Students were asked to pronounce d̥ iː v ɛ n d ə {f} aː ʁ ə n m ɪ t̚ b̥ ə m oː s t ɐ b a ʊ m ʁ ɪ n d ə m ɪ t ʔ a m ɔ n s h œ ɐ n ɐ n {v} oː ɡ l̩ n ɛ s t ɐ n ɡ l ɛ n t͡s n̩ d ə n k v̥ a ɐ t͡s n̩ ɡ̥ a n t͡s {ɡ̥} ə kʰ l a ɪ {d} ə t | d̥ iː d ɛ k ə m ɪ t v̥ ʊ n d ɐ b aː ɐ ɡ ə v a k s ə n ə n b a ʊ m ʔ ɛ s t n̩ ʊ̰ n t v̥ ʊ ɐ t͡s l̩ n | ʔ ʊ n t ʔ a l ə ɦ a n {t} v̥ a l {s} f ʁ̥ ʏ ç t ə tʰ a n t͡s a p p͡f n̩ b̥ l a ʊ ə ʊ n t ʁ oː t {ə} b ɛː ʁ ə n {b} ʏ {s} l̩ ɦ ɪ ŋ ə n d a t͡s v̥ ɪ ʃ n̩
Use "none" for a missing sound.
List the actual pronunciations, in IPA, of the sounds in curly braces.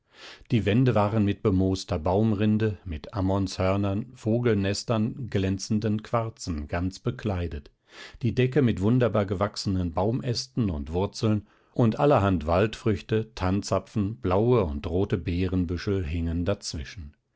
v, f, b̥, d, t, t, ə, b, ʃ

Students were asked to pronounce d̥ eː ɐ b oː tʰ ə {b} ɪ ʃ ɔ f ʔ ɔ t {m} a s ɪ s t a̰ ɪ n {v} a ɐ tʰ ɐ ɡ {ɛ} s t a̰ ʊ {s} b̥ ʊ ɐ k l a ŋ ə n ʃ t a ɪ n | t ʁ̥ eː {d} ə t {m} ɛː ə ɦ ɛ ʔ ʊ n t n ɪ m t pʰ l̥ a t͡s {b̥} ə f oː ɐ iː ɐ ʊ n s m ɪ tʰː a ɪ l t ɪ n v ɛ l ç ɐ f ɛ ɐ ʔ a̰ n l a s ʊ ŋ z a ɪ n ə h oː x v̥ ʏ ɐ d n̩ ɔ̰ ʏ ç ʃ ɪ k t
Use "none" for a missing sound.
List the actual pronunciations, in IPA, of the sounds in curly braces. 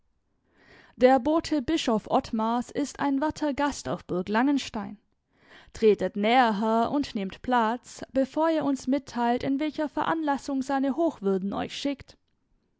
b, m, v, a, f, t, n, b̥

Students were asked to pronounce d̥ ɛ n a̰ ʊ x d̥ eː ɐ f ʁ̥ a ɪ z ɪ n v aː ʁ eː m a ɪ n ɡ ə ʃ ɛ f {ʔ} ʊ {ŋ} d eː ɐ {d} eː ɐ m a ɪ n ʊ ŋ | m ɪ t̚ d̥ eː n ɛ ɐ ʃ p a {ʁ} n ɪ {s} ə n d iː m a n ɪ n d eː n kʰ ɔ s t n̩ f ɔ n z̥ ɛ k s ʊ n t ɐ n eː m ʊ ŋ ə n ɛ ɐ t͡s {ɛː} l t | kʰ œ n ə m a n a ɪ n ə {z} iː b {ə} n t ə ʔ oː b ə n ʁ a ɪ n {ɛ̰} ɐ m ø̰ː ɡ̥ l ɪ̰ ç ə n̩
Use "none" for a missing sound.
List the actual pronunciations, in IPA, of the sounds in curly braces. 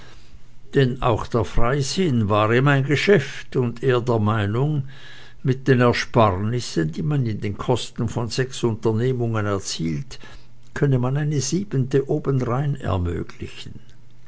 t, n, d, ʁ, s, iː, z, ə, ɛ̰

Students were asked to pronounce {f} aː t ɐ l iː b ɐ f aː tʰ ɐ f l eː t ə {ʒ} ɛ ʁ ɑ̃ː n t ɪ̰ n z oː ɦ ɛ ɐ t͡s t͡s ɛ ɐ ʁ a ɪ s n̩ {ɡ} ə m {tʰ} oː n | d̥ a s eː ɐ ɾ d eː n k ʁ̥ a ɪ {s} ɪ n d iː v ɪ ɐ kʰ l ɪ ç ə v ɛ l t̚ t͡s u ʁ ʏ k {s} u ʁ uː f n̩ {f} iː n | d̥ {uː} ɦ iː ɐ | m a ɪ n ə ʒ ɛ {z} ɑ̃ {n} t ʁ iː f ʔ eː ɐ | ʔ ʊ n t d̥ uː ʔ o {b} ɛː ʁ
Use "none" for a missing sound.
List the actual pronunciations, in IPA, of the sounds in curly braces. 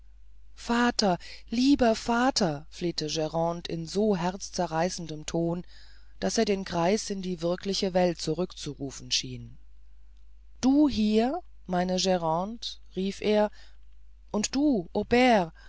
f, ʒ, d, tʰ, s, t͡s, ʃ, uː, ʁ, n, b

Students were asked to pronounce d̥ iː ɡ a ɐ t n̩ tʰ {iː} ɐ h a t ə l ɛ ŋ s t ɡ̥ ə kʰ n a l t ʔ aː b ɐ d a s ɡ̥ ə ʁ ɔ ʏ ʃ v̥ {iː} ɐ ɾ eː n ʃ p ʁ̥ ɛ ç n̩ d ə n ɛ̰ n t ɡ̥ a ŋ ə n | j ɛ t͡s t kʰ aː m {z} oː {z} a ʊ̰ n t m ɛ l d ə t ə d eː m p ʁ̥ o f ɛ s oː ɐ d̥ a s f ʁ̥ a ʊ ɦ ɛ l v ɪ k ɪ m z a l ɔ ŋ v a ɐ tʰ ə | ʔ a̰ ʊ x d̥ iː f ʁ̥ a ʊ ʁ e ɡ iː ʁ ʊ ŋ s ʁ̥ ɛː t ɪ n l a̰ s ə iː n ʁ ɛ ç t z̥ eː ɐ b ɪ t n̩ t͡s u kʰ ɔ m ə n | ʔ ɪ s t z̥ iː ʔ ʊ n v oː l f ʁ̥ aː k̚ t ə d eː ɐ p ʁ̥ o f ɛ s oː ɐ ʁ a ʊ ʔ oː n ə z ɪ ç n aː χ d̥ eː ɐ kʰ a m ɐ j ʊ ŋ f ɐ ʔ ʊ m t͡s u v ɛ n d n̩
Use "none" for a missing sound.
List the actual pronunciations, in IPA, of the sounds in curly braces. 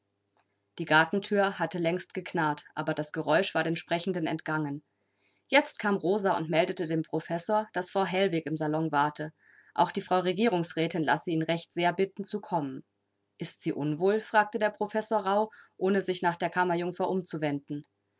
yː, aː, ʁ, z

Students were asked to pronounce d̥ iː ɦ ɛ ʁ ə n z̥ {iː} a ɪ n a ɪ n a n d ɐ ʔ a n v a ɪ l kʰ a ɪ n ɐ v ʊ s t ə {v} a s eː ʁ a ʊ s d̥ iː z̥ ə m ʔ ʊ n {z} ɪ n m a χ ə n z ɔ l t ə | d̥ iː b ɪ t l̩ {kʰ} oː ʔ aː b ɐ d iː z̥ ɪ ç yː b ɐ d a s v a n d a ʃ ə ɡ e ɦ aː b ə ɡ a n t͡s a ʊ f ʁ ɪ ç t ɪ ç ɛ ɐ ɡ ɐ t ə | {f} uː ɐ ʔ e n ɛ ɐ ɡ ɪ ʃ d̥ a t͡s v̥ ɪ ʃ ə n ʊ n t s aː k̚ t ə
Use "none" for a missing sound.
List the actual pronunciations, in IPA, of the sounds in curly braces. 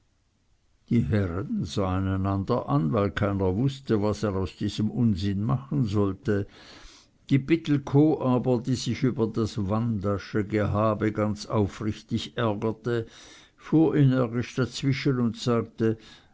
aː, v, z, kʰ, f

